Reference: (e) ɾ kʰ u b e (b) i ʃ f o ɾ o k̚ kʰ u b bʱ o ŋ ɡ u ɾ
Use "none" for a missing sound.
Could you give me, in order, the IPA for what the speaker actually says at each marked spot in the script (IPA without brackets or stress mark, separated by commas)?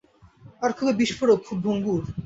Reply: a, b